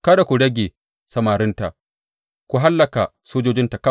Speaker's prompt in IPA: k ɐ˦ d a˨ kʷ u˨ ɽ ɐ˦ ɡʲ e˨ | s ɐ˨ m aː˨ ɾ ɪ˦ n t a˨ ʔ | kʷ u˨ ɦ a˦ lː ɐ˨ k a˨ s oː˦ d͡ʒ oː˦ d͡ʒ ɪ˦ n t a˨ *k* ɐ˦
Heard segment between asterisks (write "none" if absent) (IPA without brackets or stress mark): k